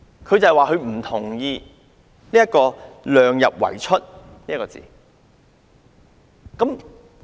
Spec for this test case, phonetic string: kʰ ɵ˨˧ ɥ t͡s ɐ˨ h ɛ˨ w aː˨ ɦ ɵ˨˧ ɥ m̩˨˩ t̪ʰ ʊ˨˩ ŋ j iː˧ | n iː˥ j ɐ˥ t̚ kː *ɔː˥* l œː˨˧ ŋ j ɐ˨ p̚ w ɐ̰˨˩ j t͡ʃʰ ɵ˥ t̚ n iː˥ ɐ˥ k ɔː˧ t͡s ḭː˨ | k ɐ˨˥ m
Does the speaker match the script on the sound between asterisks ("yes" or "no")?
no